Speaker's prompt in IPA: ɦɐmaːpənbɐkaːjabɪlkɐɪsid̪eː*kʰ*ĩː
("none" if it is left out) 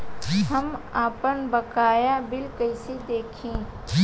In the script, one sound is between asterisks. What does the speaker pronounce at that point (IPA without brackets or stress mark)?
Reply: kʰ